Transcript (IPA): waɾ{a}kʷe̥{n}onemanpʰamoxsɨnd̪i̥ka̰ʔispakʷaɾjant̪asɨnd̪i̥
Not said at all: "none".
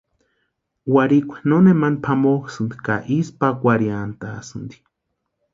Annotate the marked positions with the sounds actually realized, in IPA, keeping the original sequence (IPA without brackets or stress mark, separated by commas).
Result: i, n